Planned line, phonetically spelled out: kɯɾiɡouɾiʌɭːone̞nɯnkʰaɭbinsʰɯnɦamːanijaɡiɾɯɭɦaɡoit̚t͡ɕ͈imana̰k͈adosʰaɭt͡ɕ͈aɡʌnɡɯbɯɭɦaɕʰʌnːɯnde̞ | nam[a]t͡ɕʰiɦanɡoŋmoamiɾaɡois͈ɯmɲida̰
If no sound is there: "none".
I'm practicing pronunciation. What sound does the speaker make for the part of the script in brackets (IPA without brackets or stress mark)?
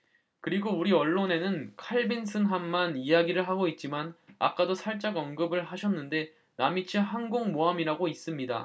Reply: i